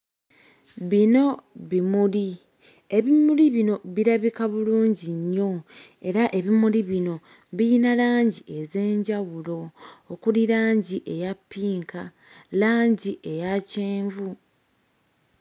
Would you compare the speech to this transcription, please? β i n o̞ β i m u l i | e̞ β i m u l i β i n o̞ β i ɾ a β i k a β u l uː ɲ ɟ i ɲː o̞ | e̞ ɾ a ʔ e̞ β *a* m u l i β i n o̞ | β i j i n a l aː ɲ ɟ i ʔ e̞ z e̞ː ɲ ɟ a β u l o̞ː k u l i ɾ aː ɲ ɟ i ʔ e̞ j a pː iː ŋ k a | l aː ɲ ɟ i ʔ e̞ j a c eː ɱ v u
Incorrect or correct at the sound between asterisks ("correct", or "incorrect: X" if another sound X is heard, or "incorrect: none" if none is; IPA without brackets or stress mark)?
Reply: incorrect: i